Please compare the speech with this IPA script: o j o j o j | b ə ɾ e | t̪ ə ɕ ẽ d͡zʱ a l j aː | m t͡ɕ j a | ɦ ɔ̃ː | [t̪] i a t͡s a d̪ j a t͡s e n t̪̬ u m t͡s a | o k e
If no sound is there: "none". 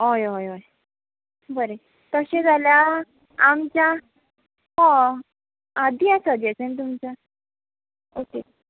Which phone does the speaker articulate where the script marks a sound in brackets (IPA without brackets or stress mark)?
d̪